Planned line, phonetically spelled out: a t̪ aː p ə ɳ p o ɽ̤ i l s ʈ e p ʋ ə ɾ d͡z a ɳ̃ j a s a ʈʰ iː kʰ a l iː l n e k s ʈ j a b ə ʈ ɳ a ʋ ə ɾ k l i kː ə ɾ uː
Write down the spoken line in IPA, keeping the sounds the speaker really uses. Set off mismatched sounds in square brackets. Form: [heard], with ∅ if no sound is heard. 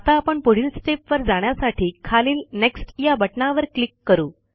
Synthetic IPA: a t̪ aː p ə ɳ p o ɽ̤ i l s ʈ e p ʋ ə ɾ d͡z a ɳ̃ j a s a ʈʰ iː kʰ a l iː l n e k s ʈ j a b ə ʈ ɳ a ʋ ə ɾ k l i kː ə ɾ uː